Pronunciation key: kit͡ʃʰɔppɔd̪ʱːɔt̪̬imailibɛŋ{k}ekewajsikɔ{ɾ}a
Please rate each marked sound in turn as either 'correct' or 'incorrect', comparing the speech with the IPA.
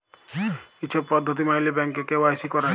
correct, correct

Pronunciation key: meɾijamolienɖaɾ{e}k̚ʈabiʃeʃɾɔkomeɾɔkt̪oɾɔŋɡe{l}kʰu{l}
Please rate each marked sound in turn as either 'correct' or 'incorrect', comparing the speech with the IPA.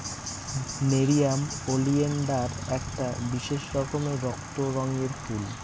incorrect: ɛ, incorrect: ɾ, correct

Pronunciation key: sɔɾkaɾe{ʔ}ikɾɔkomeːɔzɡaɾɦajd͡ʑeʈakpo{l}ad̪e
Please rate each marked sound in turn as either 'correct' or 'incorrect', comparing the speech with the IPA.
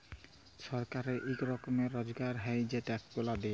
correct, correct

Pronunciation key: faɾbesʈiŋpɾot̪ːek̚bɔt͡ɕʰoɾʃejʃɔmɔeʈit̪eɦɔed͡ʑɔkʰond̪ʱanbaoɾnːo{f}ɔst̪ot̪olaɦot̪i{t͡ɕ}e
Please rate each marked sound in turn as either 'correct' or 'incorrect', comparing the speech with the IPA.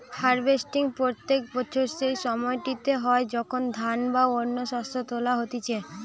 incorrect: ʃ, incorrect: t͡ɕʰ

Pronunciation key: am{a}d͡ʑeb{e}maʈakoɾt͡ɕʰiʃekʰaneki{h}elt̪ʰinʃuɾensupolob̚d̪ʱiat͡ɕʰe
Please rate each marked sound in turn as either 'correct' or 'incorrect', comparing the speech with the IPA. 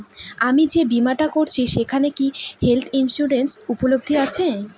incorrect: i, incorrect: i, correct

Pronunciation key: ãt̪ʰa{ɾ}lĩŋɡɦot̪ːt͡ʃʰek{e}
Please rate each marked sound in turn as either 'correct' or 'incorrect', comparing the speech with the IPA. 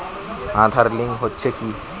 correct, incorrect: i

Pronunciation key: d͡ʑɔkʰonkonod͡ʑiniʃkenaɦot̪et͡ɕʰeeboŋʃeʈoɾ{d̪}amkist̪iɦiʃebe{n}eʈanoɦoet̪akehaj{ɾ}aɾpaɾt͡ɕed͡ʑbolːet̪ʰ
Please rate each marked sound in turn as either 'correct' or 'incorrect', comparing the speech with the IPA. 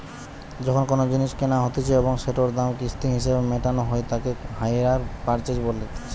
correct, incorrect: m, correct

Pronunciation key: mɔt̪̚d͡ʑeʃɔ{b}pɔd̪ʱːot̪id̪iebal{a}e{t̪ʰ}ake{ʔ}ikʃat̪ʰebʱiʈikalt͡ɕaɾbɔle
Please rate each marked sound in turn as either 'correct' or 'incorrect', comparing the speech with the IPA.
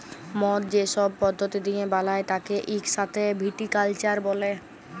correct, correct, incorrect: t̪, correct

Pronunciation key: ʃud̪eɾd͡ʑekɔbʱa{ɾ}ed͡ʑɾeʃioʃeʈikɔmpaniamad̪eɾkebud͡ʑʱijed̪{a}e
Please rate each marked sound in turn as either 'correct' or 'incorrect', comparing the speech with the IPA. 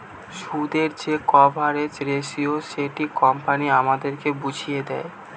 correct, incorrect: ɛ

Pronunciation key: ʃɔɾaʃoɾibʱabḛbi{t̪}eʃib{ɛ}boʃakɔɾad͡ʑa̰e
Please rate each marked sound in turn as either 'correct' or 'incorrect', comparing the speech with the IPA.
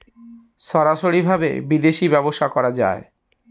incorrect: d̪, correct

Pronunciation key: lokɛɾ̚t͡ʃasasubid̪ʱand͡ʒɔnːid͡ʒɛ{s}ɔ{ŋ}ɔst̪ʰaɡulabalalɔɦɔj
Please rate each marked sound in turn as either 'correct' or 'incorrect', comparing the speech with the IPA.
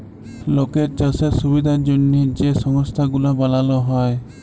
correct, correct

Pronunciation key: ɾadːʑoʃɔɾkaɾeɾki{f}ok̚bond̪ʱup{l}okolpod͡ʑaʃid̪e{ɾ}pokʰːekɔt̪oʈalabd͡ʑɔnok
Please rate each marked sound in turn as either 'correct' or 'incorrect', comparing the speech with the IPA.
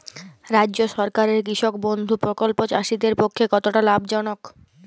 incorrect: ʃ, incorrect: ɾ, correct

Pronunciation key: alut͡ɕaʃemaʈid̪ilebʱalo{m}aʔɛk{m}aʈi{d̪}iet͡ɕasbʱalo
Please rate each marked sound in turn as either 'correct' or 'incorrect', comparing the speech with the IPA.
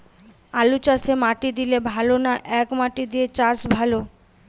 incorrect: n, correct, correct

